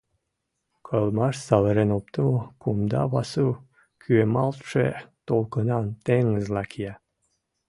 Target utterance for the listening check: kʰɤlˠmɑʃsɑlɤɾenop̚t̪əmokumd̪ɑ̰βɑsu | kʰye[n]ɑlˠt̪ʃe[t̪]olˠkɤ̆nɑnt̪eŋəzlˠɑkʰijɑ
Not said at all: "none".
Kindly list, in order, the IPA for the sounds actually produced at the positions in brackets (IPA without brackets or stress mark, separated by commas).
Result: m, t̪